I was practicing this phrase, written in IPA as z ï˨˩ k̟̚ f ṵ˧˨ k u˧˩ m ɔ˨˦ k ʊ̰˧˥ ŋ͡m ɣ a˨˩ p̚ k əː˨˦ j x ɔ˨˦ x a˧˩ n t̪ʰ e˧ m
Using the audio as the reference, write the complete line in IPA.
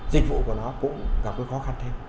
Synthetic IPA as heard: z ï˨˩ k̟̚ v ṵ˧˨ k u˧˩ n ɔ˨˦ k ʊ̰˧˥ ŋ͡m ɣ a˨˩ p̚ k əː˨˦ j x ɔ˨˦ x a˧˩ n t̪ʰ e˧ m